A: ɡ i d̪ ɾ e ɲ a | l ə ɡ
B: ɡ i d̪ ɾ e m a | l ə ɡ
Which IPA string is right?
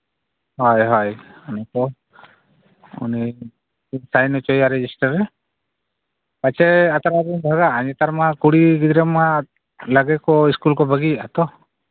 B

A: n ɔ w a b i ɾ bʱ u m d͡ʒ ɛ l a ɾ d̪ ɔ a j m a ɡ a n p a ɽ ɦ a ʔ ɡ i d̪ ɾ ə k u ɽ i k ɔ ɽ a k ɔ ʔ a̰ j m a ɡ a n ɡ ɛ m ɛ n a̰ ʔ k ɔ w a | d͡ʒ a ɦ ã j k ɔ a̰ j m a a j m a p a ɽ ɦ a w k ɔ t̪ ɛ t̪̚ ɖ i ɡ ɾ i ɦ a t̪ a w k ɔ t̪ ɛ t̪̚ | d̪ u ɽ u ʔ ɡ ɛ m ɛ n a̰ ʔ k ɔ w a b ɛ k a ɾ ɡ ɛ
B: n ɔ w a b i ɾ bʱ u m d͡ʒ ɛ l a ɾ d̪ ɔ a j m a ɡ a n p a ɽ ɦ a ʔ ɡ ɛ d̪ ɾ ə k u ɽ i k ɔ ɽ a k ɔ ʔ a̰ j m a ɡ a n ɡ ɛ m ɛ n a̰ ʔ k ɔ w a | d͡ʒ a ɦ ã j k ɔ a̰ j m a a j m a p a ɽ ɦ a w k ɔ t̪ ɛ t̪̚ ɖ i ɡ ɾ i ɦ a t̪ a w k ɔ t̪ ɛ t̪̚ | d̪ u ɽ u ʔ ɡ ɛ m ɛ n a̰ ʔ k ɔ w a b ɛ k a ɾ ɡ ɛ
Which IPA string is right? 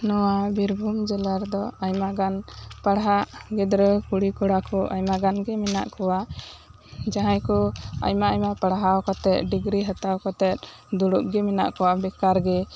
B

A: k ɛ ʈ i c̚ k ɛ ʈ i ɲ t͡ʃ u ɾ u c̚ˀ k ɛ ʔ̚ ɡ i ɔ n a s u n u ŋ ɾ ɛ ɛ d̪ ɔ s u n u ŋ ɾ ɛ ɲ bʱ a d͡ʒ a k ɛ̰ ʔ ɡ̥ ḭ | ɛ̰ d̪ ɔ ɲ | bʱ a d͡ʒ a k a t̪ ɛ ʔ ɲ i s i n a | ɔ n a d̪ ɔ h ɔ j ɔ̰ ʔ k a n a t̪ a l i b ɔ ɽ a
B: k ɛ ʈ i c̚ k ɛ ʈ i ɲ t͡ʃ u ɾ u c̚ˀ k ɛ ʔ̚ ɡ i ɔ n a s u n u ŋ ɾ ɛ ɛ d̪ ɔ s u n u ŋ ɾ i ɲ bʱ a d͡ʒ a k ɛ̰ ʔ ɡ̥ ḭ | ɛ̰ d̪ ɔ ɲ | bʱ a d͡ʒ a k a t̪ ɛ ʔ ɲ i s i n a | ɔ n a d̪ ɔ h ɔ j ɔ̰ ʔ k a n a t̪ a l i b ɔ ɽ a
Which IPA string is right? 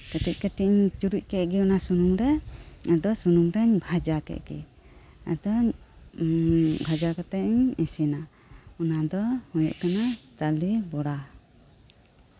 A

